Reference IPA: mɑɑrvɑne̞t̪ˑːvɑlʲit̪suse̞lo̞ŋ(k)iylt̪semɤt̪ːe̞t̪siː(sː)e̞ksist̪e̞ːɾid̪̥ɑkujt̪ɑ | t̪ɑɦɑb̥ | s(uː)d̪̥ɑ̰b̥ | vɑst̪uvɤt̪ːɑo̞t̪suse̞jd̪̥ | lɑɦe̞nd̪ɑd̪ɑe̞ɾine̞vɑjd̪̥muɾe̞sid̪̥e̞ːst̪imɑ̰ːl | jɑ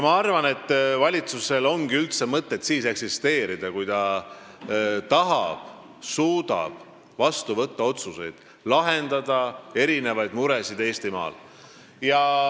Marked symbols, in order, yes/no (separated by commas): no, no, yes